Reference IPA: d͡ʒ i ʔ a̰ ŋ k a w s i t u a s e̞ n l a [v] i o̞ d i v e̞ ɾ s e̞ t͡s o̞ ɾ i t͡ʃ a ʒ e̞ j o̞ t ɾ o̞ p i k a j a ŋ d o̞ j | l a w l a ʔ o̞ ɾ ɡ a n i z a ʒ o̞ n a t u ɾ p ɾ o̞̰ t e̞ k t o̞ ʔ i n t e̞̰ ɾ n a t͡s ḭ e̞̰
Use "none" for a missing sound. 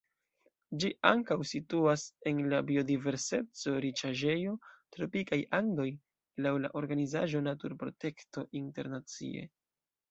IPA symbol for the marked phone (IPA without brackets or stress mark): b